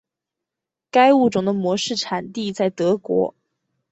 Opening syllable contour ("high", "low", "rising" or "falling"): high